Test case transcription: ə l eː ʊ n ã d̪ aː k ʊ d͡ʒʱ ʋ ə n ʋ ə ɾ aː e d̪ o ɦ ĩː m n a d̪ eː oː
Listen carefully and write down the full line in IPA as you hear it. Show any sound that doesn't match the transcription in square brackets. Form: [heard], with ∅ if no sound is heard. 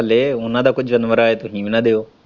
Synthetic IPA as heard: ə l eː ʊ n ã d̪ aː k ʊ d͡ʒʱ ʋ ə n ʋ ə ɾ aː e [t̪] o ɦ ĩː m n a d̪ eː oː